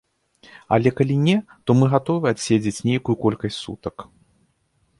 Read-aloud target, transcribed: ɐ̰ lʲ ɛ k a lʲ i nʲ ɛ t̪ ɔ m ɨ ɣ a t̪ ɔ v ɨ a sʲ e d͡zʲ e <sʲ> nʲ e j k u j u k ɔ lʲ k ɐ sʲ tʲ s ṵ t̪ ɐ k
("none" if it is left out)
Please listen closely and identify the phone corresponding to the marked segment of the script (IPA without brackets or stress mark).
t͡sʲ